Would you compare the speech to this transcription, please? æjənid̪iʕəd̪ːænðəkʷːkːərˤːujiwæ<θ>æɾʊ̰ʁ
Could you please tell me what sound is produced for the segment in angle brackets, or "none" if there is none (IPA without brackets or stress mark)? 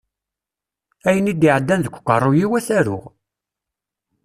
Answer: θ